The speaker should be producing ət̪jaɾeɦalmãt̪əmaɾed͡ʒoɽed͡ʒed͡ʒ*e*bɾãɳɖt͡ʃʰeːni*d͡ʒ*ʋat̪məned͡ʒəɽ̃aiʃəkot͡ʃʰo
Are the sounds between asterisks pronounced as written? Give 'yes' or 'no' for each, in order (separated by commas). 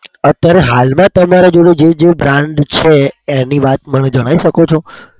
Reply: yes, no